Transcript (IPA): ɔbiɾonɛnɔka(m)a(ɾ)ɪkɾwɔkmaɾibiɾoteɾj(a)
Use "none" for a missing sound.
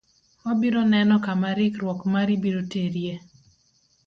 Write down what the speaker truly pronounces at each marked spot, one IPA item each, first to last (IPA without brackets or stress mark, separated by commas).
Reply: m, ɾ, e